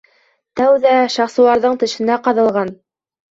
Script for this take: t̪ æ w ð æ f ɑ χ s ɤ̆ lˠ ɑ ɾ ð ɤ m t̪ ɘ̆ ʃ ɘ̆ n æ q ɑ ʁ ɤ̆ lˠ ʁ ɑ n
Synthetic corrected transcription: t̪ æ w ð æ ʃ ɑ χ s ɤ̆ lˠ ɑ ɾ ð ɤ ɴ t̪ ɘ̆ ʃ ɘ̆ n æ q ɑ ð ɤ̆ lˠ ʁ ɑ n